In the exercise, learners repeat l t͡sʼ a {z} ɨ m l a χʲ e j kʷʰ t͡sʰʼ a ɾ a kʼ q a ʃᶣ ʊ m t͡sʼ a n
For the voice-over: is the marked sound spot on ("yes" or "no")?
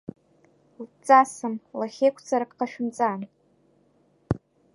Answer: no